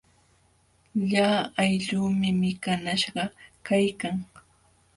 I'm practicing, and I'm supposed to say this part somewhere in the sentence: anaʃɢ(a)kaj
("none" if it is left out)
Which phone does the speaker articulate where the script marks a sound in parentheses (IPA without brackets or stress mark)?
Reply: ɑ